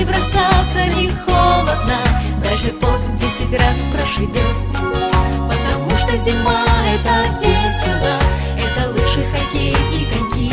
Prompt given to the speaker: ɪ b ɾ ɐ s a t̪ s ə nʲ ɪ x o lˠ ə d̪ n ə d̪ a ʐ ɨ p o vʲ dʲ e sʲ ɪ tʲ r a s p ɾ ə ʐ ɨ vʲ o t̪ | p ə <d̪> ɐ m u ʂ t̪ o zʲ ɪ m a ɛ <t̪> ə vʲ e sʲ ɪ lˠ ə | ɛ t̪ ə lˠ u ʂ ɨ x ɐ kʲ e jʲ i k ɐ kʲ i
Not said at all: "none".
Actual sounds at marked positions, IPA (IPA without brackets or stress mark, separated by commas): t̪, t̪